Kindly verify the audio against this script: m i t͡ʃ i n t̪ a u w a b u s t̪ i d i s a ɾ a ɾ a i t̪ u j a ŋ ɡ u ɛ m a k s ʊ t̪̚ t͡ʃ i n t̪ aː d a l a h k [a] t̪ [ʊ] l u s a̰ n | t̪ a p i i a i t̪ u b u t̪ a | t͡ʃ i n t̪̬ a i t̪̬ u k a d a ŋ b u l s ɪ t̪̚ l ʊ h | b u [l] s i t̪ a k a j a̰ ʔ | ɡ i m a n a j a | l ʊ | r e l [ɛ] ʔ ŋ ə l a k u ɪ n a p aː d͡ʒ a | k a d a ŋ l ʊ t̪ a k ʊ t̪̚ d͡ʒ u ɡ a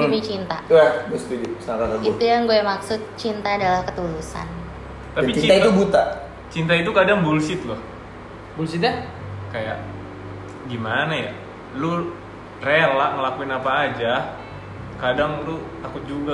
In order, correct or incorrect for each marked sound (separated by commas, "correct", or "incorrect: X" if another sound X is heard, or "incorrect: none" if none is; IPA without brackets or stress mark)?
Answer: incorrect: ə, incorrect: u, correct, incorrect: a